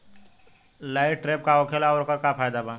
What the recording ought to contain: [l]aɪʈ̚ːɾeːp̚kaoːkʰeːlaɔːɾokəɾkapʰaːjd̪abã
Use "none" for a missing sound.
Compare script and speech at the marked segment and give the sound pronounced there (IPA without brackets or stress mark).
l